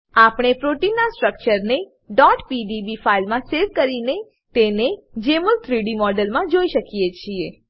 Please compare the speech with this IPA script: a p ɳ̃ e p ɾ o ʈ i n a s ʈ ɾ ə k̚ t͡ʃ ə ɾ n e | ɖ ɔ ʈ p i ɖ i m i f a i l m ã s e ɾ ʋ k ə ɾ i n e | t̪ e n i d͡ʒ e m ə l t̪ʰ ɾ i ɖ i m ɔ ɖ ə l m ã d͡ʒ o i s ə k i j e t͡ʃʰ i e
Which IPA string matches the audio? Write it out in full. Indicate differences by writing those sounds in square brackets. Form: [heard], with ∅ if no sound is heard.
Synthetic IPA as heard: a p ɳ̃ e p ɾ o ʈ i n a s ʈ ɾ ə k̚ t͡ʃ ə ɾ n e | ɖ ɔ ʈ p i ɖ i [b] i f a i l m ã s e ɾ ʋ k ə ɾ i n e | t̪ e n [e] d͡ʒ e m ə l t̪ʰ ɾ i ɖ i m ɔ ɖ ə l m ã d͡ʒ o i [ʃ] ə k i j e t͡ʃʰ i e